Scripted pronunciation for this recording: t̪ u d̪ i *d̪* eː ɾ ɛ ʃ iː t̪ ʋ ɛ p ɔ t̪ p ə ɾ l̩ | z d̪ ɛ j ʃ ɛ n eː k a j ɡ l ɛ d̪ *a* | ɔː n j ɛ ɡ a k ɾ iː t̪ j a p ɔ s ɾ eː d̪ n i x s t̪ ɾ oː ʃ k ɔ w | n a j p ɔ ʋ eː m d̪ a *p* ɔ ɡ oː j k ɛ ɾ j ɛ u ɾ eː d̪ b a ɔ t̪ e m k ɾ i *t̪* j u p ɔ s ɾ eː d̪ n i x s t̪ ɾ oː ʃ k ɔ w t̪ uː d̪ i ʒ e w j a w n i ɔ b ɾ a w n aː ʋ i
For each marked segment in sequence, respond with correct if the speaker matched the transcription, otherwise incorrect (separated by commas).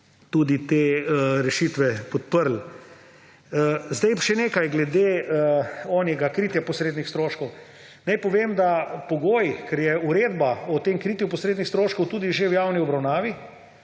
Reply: incorrect, incorrect, correct, correct